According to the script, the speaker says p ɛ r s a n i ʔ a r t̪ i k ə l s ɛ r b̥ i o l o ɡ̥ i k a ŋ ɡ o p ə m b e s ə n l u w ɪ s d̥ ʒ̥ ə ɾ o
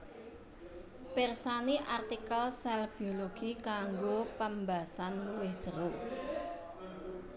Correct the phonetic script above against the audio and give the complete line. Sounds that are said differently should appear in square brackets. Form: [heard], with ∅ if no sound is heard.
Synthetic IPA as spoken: p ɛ r s a n i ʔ a r t̪ i k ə l s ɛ [l] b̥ i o l o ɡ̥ i k a ŋ ɡ o p ə m b [a] s [a] n l u w ɪ [h] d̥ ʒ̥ ə ɾ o